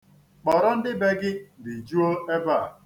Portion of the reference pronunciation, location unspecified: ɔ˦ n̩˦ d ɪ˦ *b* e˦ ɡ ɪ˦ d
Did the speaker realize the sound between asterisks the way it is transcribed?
yes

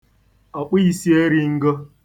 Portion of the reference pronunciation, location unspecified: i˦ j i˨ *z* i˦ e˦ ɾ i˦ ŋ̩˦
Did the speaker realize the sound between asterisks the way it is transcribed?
no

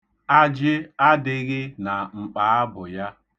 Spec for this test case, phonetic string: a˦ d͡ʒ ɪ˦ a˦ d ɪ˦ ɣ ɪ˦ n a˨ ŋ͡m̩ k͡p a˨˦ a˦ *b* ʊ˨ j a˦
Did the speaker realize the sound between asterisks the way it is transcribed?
yes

